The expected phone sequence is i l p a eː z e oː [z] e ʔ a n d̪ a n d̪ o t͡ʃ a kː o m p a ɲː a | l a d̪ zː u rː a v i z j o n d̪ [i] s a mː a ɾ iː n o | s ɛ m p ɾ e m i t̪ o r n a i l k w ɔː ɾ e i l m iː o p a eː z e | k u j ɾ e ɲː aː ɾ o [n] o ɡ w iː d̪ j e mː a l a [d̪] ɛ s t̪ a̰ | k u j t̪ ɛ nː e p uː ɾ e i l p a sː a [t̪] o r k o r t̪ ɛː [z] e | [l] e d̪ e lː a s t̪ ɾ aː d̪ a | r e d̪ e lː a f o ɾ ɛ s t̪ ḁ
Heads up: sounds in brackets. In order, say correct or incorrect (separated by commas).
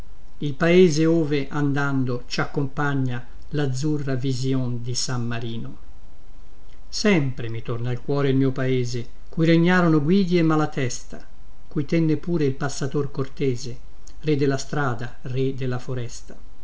incorrect, correct, correct, incorrect, correct, correct, incorrect